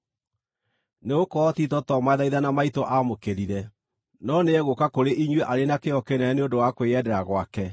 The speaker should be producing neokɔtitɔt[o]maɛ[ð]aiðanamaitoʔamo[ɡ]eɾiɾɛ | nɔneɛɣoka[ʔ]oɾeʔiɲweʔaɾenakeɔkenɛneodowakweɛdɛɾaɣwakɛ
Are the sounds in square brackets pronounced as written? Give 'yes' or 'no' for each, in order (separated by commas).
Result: no, yes, no, no